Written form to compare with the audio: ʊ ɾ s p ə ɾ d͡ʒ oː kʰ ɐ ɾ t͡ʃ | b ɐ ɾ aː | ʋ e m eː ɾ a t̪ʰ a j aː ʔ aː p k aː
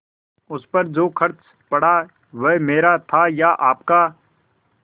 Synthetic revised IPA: ʊ s p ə ɾ d͡ʒ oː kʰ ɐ ɾ t͡ʃ | p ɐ ɽ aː | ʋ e m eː ɾ a t̪ʰ a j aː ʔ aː p k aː